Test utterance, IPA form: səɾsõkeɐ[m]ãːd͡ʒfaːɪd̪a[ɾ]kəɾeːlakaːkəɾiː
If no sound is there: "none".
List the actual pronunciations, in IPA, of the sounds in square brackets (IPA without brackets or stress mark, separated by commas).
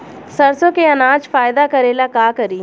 n, none